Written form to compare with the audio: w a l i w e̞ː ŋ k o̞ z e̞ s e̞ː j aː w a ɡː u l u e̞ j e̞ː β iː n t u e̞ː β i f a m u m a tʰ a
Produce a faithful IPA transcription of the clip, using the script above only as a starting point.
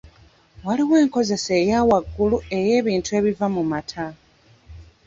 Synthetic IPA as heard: w a l i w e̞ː ŋ k o̞ z e̞ s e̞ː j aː w a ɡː u l u e̞ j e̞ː β iː n t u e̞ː β i v a m u m a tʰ a